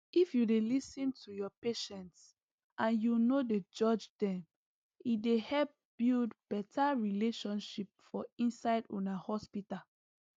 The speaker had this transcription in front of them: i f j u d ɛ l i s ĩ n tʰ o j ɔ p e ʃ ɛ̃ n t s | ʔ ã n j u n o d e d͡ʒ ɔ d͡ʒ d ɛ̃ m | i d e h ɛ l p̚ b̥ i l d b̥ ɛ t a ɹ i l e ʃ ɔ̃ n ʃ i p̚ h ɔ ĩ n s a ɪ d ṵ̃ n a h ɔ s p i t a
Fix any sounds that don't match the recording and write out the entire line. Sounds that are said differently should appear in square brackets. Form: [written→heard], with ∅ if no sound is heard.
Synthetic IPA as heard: i f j u d [ɛ→e] l i s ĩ n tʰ [o→u] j ɔ p e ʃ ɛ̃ n t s | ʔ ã n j u n o d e d͡ʒ ɔ d͡ʒ d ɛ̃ m | i d e h ɛ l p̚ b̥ i l d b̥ ɛ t a ɹ i l e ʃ ɔ̃ n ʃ i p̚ [h→f] ɔ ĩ n s a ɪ d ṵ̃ n a h ɔ s p i t a